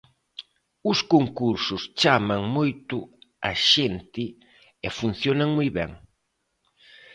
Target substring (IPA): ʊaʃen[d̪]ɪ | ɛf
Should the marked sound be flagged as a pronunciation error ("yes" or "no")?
yes